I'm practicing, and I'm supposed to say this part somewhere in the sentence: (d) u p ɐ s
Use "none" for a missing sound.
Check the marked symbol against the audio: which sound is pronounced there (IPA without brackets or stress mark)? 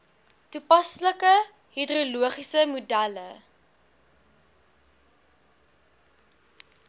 t